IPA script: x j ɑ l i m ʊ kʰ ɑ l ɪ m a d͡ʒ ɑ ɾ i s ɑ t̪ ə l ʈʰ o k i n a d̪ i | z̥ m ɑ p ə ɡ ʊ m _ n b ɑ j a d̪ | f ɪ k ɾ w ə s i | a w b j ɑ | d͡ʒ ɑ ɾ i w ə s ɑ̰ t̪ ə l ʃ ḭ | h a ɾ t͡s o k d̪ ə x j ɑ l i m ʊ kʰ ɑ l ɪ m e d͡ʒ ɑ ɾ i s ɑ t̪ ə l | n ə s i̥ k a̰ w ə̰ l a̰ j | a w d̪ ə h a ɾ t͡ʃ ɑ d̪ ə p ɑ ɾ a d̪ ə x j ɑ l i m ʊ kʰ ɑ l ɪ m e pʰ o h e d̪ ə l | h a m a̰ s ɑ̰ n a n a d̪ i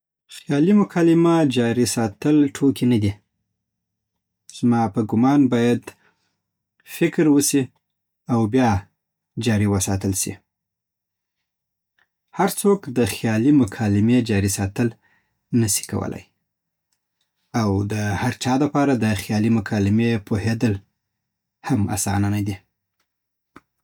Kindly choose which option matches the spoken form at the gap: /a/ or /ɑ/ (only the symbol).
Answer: ɑ